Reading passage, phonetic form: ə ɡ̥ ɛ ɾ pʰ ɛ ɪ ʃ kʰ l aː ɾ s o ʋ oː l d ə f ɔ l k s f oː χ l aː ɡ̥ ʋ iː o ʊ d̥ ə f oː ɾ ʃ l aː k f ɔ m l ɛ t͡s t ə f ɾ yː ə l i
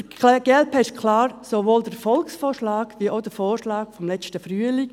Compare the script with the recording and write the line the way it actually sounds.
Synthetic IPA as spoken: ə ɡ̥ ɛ l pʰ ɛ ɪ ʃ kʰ l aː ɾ s o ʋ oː l d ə f ɔ l k s f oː ʃ l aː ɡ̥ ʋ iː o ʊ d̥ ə f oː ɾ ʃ l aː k f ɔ m l ɛ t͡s t ə f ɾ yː ə l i

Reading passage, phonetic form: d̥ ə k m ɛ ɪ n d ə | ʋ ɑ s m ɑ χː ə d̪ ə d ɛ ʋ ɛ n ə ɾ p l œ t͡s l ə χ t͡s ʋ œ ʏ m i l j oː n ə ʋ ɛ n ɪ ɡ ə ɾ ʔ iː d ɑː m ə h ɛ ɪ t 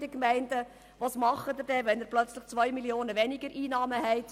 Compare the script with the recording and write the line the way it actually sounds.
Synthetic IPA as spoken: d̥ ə k m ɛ ɪ n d ə | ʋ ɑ s m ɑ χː ə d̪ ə d ɛ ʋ ɛ n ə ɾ p l œ t͡s l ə χ t͡s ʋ œ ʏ m i l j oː n ə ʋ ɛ n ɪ ɡ ə ɾ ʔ iː n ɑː m ə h ɛ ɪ t

